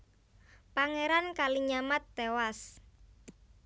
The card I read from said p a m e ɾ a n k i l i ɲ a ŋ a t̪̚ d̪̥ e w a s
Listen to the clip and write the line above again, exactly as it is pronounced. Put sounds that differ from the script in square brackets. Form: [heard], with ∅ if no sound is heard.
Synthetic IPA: p a [ŋ] e ɾ a n k [a] l i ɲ a [m] a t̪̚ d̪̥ e w a s